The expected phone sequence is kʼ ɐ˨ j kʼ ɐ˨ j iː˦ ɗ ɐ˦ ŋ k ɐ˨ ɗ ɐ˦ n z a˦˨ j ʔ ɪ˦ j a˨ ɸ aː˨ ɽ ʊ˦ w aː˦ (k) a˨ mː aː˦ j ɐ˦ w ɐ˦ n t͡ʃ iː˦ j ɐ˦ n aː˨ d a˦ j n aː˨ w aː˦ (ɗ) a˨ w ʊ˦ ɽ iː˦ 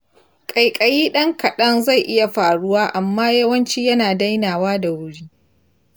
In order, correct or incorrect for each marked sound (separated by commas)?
incorrect, incorrect